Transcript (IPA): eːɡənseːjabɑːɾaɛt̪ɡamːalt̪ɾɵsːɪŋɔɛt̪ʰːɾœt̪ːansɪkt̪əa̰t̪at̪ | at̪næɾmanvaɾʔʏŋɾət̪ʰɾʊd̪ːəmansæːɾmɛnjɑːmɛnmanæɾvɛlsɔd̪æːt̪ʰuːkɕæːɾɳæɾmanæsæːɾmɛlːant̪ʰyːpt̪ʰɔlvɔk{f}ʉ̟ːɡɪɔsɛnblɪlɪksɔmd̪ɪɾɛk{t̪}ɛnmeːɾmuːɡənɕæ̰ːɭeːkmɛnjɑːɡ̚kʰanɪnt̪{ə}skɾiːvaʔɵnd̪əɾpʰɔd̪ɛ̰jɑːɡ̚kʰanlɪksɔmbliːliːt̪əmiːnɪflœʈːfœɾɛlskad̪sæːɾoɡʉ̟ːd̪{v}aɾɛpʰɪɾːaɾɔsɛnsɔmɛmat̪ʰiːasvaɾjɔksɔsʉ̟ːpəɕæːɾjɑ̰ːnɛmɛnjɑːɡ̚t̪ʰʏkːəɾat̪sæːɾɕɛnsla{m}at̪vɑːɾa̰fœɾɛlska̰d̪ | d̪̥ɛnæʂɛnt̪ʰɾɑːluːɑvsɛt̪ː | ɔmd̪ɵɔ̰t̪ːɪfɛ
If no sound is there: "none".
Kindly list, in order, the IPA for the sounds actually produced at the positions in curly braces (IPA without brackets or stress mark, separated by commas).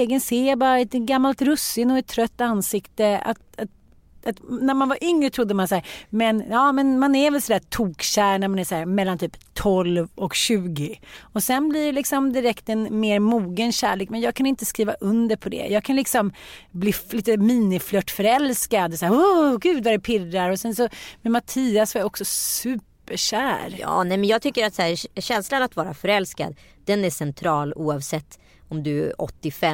ɕ, t̪, ə, v, n